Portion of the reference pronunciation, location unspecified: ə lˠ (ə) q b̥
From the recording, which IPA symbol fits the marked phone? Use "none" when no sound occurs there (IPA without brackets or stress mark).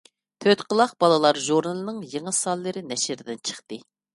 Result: ɑ